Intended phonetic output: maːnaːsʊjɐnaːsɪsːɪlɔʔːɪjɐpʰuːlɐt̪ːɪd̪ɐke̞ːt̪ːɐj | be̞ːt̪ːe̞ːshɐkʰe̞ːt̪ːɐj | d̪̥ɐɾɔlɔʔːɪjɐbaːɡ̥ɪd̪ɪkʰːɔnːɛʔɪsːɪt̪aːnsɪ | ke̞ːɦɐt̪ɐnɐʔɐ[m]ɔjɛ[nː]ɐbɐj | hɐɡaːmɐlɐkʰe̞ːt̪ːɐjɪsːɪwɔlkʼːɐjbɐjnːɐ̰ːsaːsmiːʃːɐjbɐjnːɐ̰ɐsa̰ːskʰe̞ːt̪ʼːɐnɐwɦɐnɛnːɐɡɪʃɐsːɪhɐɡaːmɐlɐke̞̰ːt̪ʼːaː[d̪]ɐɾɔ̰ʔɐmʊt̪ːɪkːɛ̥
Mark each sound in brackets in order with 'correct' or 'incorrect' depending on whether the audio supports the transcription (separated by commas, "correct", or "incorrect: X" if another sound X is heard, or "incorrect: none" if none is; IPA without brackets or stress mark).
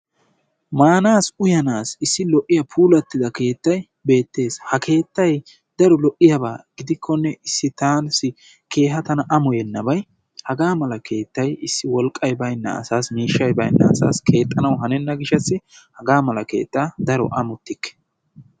correct, correct, correct